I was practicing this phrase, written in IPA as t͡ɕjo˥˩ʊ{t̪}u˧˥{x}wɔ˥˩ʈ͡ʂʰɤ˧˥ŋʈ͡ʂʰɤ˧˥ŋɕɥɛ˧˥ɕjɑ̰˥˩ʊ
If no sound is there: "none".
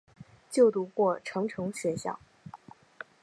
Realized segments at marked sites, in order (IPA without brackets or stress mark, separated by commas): t̪, k